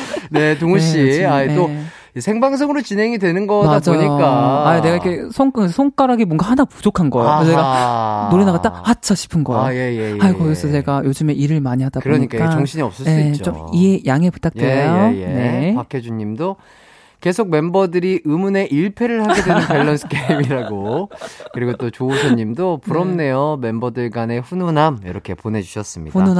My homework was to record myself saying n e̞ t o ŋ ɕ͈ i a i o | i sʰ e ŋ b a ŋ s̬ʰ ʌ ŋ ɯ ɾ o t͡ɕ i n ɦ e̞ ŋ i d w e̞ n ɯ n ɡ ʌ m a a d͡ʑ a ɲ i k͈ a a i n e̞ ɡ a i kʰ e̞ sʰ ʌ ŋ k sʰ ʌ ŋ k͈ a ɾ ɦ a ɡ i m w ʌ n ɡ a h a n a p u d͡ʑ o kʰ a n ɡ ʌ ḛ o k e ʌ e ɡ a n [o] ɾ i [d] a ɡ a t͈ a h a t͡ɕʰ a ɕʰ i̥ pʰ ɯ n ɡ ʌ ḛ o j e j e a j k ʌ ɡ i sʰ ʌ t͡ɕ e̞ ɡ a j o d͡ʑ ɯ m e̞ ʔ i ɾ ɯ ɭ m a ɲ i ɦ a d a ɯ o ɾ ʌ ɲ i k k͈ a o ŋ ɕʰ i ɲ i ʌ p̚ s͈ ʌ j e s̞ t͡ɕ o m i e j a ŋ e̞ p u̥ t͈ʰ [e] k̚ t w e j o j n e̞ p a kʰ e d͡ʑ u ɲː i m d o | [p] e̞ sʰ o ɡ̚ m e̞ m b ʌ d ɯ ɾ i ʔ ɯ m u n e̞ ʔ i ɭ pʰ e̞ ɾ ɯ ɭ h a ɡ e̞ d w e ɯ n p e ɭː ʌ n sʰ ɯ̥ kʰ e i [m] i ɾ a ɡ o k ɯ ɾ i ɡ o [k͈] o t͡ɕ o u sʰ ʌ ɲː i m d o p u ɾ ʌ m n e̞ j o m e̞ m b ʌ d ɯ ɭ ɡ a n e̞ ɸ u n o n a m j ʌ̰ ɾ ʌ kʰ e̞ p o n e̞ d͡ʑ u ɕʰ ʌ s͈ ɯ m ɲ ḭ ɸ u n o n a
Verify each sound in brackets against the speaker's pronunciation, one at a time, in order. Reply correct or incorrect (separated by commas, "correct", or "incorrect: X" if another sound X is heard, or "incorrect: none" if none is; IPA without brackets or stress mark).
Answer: correct, incorrect: n, incorrect: a, incorrect: k, correct, incorrect: t͈